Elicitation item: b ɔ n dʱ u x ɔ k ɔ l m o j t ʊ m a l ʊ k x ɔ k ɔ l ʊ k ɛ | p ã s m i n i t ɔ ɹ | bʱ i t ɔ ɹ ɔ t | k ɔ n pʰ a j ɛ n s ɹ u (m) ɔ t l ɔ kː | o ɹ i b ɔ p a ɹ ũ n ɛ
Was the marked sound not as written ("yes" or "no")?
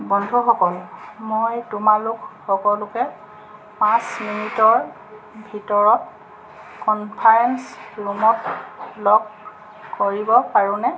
no